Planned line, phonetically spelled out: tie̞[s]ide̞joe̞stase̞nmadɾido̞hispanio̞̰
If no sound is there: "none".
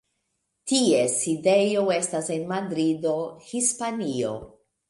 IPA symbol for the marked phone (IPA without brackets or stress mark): s